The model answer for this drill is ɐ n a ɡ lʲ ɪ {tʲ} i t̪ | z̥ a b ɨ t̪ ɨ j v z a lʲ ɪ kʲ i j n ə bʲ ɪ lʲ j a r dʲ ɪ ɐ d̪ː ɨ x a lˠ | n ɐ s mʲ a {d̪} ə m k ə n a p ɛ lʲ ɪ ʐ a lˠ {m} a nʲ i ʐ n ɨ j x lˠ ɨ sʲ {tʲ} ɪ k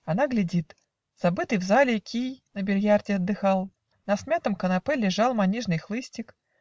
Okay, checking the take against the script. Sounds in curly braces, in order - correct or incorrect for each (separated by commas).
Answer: incorrect, incorrect, correct, correct